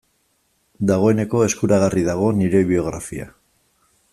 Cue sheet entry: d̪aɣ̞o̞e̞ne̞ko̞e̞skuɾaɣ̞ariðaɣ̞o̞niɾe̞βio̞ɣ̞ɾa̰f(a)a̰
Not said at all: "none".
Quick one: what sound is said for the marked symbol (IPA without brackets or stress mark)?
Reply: i